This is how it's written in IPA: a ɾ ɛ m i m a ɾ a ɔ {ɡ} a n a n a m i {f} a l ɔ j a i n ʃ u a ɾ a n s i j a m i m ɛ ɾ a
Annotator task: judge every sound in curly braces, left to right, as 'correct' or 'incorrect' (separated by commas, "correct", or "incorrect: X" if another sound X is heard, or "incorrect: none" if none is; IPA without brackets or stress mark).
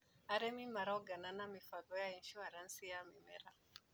correct, correct